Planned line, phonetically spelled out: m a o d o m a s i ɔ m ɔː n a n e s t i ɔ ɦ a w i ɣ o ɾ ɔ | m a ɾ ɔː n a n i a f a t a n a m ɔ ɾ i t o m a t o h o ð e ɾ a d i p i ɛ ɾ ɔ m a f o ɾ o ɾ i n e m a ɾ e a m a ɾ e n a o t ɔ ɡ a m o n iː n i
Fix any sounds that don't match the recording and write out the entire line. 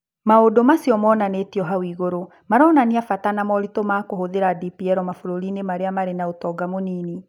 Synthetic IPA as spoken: m a o d o m a s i ɔ m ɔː n a n e t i ɔ ɦ a w i ɣ o ɾ o | m a ɾ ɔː n a n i a f a t a n a m ɔ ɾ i t o m a k o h o ð e ɾ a d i p i ɛ ɾ ɔ m a f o ɾ o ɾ i n e m a ɾ e a m a ɾ e n a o t ɔ ɡ a m o n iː n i